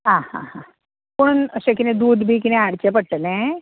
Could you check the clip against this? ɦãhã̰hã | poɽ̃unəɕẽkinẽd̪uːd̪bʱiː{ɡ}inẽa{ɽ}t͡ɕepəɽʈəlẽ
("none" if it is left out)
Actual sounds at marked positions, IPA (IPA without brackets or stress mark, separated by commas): k, ɽ